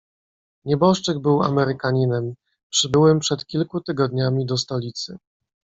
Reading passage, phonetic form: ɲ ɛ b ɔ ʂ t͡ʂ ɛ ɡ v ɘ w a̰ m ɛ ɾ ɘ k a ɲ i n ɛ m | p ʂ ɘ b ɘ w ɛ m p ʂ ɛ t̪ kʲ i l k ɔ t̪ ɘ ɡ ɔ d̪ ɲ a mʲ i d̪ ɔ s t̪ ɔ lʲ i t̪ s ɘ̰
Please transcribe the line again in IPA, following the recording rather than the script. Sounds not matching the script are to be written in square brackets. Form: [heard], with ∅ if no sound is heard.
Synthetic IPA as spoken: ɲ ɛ b ɔ ʂ t͡ʂ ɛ ɡ [b] ɘ w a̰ m ɛ ɾ ɘ k a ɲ i n ɛ m | p ʂ ɘ b ɘ w ɛ m p ʂ ɛ t̪ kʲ i l k [u] t̪ ɘ ɡ ɔ d̪ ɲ a mʲ i d̪ ɔ s t̪ ɔ lʲ i t̪ s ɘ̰

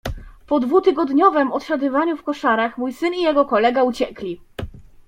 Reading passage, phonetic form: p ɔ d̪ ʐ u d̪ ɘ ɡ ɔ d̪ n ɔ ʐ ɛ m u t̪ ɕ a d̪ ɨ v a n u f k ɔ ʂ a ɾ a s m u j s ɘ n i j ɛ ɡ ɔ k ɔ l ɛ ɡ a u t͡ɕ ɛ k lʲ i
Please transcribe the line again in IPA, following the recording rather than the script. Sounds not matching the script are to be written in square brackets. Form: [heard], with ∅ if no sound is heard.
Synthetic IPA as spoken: p ɔ d̪ [v] u [t̪] ɘ ɡ ɔ d̪ [ɲ] ɔ [v] ɛ m [ɔ] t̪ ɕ a d̪ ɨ v a [ɲ] u f k ɔ ʂ a ɾ a [x] m u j s ɘ n i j ɛ ɡ ɔ k ɔ l ɛ ɡ a u t͡ɕ ɛ k lʲ i

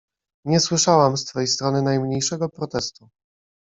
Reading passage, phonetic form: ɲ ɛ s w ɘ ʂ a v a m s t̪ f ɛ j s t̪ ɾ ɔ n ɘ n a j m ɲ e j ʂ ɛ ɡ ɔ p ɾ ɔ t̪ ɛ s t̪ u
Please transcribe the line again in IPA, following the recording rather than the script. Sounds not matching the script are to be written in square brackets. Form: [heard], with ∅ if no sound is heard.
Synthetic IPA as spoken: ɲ ɛ s w ɘ ʂ a [w] a m s t̪ f ɛ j s t̪ ɾ ɔ n ɘ n a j m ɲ e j ʂ ɛ ɡ ɔ p ɾ ɔ t̪ ɛ s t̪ u

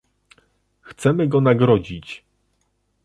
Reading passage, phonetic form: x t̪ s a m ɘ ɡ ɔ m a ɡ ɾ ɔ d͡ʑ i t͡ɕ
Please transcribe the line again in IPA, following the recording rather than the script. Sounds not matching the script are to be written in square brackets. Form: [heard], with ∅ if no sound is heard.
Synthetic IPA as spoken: x t̪ s [ɛ] m ɘ ɡ ɔ [n] a ɡ ɾ ɔ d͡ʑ i t͡ɕ

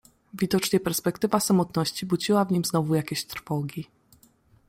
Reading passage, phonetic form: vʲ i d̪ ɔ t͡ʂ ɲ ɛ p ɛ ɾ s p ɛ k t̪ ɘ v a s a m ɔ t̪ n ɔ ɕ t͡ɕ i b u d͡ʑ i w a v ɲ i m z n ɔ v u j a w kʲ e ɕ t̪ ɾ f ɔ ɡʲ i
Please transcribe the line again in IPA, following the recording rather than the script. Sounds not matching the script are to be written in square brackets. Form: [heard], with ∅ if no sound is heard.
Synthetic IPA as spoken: vʲ i d̪ ɔ t͡ʂ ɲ ɛ p ɛ ɾ s p ɛ k t̪ ɘ v a s a m ɔ t̪ n ɔ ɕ t͡ɕ i b u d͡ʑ i w a v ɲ i m z n ɔ v u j a [∅] kʲ e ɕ t̪ ɾ f ɔ ɡʲ i

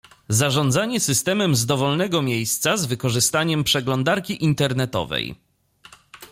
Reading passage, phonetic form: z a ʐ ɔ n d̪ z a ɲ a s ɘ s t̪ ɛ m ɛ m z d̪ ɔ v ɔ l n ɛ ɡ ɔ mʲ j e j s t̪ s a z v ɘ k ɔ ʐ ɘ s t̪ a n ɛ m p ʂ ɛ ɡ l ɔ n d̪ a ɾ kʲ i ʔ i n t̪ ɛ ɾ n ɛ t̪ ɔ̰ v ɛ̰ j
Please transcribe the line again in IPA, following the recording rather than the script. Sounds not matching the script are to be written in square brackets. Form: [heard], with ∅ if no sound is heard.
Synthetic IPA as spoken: z a ʐ ɔ n d̪ z a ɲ [ɛ] s ɘ s t̪ ɛ m ɛ m z d̪ ɔ v ɔ l n ɛ ɡ ɔ mʲ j e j s t̪ s a z v ɘ k ɔ ʐ ɘ s t̪ a [ɲ] ɛ m p ʂ ɛ ɡ l ɔ n d̪ a ɾ kʲ i ʔ i n t̪ ɛ ɾ n ɛ t̪ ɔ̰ v ɛ̰ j

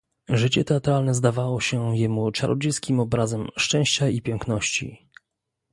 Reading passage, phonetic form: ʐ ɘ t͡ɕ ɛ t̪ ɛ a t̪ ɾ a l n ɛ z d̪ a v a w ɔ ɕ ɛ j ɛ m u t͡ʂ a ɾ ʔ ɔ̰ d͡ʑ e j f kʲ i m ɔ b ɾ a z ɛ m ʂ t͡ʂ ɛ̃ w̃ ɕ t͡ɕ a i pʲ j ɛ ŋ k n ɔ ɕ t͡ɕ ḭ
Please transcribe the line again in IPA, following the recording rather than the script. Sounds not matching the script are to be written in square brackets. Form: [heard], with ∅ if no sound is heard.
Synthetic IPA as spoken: ʐ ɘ t͡ɕ ɛ t̪ ɛ a t̪ ɾ a l n ɛ z d̪ a v a w ɔ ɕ ɛ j ɛ m u t͡ʂ a ɾ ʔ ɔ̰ d͡ʑ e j [s] kʲ i m ɔ b ɾ a z ɛ m ʂ t͡ʂ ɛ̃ w̃ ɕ t͡ɕ a i pʲ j ɛ ŋ k n ɔ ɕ t͡ɕ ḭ

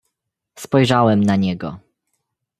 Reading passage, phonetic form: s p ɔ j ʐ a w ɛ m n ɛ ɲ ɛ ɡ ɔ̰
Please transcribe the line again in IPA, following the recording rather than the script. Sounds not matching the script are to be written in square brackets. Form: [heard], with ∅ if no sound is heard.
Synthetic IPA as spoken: s p ɔ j ʐ a w ɛ m n [a] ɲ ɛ ɡ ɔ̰

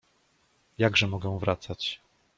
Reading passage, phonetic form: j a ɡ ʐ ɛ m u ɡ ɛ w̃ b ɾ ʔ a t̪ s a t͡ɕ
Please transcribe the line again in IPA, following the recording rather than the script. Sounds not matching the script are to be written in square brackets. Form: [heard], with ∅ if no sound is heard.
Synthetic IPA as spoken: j a ɡ ʐ ɛ m [ɔ] ɡ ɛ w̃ [v] ɾ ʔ a t̪ s a t͡ɕ

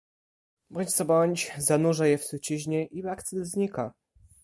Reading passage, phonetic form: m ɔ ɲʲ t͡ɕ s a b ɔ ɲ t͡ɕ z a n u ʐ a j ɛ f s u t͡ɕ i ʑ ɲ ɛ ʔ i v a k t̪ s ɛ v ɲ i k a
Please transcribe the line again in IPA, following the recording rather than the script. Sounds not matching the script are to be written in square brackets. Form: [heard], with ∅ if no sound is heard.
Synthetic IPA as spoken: [b] ɔ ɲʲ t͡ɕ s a b ɔ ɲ t͡ɕ z a n u ʐ a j ɛ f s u t͡ɕ i ʑ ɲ ɛ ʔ i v a k t̪ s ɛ [z] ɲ i k a

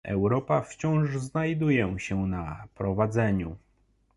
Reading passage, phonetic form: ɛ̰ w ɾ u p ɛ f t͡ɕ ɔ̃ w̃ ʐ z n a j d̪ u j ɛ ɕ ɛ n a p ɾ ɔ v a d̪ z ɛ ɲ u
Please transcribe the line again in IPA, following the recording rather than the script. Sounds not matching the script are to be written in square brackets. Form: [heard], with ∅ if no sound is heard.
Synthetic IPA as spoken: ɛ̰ w ɾ [ɔ] p [a] f t͡ɕ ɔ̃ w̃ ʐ z n a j d̪ u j ɛ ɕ ɛ n a p ɾ ɔ v a d̪ z ɛ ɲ u

